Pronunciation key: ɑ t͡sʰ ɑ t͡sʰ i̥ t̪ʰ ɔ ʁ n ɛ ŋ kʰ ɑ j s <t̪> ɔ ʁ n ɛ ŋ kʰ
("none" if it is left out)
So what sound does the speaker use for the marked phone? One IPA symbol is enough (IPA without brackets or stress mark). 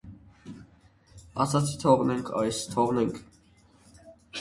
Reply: t̪ʰ